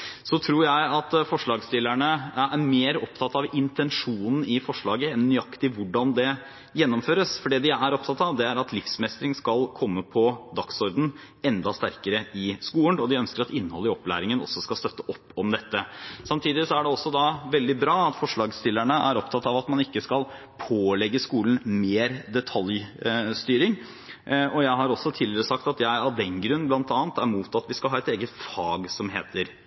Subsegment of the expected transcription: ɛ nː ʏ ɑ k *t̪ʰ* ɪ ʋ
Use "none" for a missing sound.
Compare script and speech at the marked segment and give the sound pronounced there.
t̪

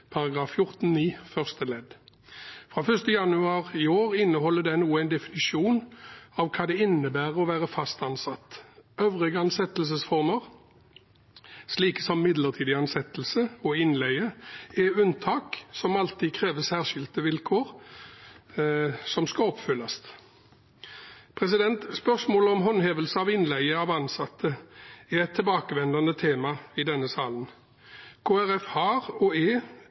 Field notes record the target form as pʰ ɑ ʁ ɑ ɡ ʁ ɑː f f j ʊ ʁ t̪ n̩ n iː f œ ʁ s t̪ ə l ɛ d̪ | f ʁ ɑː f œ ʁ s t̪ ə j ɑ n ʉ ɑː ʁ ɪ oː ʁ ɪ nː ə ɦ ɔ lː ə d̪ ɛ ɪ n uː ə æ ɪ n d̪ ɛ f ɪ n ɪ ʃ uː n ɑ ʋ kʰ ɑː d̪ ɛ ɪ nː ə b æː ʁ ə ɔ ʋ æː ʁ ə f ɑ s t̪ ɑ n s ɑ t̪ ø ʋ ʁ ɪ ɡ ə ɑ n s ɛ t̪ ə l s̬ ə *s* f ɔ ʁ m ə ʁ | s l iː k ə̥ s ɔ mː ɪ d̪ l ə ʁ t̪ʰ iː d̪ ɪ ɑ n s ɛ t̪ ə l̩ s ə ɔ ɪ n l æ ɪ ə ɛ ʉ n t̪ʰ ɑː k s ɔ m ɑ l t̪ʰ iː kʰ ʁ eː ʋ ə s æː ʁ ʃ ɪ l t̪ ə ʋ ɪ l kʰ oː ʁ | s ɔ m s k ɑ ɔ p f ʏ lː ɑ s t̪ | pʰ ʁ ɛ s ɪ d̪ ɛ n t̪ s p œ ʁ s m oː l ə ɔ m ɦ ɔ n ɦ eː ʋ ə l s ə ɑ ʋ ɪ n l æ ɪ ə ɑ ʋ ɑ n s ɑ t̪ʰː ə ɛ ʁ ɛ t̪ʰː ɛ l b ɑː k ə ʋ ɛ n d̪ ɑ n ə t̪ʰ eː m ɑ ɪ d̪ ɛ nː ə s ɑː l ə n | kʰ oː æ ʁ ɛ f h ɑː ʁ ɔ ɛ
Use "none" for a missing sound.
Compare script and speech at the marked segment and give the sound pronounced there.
s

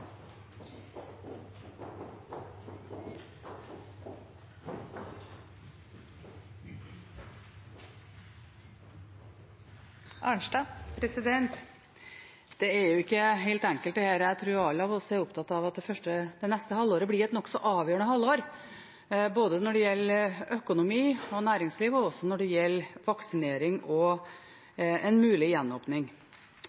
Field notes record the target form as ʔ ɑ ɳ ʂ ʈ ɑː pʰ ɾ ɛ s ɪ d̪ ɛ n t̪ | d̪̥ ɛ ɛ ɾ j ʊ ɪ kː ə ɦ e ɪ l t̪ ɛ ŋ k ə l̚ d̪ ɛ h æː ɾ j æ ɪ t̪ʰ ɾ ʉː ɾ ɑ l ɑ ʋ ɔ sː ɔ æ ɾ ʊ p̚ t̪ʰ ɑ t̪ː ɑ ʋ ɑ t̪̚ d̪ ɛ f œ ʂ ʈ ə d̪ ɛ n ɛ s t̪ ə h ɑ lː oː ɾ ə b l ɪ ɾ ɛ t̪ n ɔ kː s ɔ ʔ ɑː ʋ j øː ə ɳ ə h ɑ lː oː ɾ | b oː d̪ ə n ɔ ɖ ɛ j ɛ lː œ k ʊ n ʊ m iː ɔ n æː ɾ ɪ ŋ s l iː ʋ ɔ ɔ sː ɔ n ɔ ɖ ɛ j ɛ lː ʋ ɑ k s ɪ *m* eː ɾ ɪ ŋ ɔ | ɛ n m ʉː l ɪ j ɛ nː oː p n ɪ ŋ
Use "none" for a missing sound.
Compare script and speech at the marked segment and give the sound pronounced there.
n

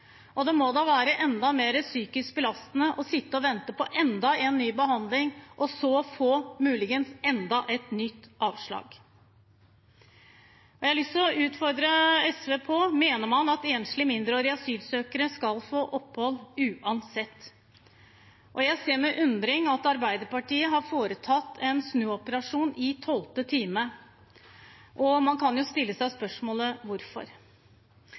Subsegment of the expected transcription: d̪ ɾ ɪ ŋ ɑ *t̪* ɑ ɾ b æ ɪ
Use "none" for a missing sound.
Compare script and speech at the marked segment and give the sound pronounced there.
t̪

